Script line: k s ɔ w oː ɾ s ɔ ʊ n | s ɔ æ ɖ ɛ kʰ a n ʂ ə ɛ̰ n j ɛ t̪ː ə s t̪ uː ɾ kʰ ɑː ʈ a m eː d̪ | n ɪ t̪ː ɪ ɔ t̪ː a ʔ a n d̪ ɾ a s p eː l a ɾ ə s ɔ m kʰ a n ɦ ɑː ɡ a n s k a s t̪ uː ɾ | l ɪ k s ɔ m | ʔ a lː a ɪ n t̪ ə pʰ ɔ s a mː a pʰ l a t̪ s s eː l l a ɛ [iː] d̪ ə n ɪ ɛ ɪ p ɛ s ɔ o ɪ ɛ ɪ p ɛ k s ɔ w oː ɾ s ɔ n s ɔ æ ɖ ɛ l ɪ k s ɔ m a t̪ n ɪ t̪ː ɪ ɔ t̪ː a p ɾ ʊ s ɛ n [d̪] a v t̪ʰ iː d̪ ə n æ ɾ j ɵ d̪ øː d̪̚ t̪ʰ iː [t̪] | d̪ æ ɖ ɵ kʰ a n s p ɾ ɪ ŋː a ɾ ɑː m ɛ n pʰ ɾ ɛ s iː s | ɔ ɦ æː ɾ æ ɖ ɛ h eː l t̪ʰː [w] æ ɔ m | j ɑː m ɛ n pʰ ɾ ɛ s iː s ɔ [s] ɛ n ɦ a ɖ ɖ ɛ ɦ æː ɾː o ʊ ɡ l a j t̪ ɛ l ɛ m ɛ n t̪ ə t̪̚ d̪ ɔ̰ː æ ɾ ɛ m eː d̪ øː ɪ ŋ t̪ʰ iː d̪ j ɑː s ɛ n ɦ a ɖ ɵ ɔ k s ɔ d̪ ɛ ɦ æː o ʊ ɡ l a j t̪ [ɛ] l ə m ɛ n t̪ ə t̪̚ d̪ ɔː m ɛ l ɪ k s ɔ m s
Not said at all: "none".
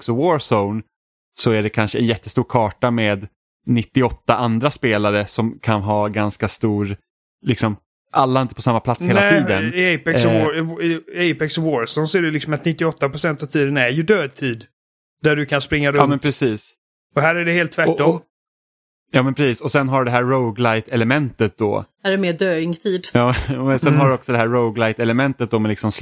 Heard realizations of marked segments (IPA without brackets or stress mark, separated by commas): iː, t̪, d̪, v, s, ɛ